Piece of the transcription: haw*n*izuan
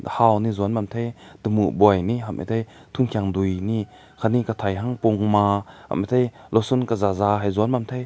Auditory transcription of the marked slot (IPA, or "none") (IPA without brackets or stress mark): n